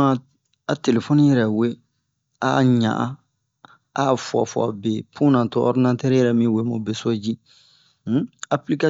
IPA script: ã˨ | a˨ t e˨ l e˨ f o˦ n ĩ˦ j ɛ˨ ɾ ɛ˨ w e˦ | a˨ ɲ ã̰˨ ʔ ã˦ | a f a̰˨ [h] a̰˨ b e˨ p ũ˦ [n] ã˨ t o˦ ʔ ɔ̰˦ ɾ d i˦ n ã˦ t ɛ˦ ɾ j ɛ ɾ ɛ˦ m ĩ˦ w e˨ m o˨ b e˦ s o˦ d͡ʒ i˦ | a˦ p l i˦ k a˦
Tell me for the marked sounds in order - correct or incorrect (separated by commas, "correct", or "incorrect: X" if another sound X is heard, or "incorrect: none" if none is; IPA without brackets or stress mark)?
incorrect: f, correct